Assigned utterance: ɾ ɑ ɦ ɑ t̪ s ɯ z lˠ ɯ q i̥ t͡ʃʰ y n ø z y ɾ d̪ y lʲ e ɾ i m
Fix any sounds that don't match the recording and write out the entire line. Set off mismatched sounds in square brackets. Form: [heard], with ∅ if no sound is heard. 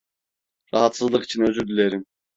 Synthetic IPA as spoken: ɾ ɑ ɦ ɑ t̪ s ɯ z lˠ ɯ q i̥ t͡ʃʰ [i] n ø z y ɾ d̪ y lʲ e ɾ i m